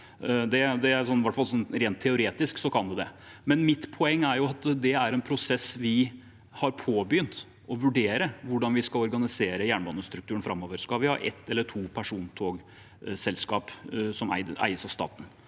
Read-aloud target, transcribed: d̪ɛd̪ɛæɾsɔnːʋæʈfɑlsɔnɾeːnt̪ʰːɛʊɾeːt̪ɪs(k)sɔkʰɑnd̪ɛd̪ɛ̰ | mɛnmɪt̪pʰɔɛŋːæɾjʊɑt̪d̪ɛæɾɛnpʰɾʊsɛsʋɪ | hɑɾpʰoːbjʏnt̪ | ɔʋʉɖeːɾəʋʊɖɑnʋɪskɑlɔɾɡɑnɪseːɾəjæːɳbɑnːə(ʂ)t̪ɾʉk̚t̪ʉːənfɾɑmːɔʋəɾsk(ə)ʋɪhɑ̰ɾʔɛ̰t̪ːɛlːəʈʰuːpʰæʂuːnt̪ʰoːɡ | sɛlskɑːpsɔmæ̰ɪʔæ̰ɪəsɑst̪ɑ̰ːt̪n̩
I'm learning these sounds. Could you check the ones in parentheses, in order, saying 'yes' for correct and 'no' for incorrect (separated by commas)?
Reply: yes, no, no